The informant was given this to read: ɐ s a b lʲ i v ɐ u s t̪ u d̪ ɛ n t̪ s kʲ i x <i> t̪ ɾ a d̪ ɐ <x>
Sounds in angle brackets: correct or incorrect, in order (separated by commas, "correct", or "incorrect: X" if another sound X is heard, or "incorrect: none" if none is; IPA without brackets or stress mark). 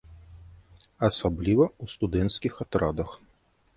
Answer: incorrect: a, correct